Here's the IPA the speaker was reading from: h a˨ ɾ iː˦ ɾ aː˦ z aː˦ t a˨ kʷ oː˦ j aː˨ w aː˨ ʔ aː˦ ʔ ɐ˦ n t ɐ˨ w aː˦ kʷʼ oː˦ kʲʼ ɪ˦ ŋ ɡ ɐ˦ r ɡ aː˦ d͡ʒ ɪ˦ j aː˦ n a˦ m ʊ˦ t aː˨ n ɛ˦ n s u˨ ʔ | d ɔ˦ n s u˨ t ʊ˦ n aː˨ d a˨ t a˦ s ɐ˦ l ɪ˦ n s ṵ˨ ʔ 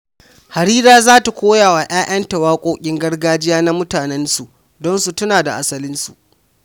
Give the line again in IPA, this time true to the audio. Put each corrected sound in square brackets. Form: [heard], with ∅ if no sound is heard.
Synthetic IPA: h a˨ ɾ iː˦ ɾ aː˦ z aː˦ t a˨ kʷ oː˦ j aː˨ w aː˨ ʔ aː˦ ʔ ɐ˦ n t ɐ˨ w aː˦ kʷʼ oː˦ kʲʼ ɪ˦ ŋ ɡ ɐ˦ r ɡ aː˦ d͡ʒ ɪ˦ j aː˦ n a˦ m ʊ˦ t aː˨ n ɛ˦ n s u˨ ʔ | d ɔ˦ n s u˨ t ʊ˦ n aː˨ d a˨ [ʔ] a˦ s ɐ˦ l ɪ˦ n s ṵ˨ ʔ